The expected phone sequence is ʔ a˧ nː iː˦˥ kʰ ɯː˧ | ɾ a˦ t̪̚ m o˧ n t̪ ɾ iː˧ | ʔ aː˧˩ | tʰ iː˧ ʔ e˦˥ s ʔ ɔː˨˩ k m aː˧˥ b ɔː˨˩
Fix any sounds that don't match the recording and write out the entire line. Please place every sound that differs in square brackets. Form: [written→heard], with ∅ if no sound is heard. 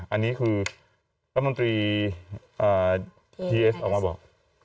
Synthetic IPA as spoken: ʔ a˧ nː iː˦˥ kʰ ɯː˧ | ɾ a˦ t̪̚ m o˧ n t̪ ɾ iː˧ | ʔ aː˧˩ | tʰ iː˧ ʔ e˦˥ s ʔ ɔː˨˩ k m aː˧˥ b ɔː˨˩